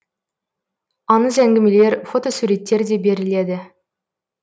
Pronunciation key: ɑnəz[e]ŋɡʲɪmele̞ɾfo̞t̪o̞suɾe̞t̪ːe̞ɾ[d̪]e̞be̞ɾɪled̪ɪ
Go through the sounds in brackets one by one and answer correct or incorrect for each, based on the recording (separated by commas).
incorrect, correct